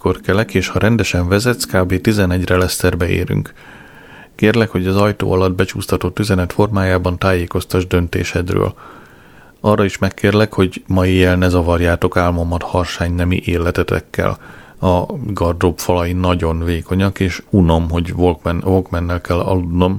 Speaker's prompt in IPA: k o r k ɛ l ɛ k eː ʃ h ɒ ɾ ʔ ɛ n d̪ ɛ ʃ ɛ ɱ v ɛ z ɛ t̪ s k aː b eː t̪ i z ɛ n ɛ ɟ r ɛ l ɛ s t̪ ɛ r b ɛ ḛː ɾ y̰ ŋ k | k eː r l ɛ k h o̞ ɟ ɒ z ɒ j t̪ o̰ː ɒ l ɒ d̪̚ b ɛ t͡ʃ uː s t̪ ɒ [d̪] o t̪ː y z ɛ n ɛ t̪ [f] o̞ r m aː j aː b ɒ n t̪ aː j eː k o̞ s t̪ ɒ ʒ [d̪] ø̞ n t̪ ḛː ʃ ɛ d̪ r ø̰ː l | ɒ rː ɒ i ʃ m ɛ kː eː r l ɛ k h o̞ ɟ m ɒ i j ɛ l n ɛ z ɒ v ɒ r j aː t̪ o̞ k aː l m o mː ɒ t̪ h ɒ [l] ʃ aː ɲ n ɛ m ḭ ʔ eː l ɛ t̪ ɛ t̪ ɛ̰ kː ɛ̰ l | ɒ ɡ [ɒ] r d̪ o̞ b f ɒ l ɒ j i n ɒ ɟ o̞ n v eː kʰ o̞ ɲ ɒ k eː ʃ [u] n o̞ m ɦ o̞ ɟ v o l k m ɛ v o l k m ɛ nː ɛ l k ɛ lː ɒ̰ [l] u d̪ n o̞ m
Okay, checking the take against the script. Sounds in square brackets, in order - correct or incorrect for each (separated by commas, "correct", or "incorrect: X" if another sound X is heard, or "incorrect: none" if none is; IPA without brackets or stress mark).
incorrect: t̪, correct, correct, incorrect: r, correct, correct, correct